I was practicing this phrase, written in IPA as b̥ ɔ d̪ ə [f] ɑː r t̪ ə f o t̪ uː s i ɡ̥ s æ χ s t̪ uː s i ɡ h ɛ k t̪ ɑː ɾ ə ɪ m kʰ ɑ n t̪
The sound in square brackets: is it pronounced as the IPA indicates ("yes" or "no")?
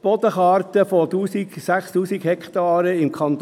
no